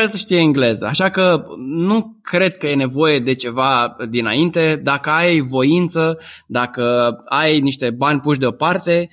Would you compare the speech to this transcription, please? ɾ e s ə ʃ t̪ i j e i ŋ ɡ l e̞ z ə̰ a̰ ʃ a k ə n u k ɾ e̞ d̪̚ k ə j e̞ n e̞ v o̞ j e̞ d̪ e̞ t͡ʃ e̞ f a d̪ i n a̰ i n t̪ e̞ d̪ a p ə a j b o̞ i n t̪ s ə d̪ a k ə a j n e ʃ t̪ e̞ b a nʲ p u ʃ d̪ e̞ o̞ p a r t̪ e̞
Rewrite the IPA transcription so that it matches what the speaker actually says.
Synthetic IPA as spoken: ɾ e s ə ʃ t̪ i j e i ŋ ɡ l e̞ z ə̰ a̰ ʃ a k ə n u k ɾ e̞ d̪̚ k ə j e̞ n e̞ v o̞ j e̞ d̪ e̞ t͡ʃ e̞ v a d̪ i n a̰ i n t̪ e̞ d̪ a k ə a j v o̞ i n t̪ s ə d̪ a k ə a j n i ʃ t̪ e̞ b a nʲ p u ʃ d̪ e̞ o̞ p a r t̪ e̞